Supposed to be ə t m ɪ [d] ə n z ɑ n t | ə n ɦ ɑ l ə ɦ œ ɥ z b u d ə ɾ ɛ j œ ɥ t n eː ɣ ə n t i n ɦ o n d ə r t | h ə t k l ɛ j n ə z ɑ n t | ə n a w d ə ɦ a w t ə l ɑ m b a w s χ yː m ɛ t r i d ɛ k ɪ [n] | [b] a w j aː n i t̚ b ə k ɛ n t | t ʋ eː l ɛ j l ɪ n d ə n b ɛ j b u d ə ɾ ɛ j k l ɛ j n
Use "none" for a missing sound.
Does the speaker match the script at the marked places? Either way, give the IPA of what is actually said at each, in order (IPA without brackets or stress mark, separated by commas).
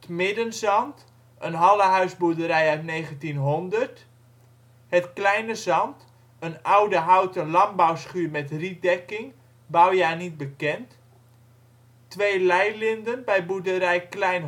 d, ŋ, b